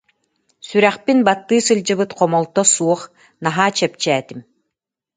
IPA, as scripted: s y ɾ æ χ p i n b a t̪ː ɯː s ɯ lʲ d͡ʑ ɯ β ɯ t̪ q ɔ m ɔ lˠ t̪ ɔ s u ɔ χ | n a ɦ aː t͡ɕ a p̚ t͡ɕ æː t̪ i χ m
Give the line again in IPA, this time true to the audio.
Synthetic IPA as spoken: s y ɾ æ χ p i n b a t̪ː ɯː s ɯ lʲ d͡ʑ ɯ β ɯ t̪ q ɔ m ɔ lˠ t̪ ɔ s u ɔ χ | n a ɦ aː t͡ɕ ɛ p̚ t͡ɕ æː t̪ i m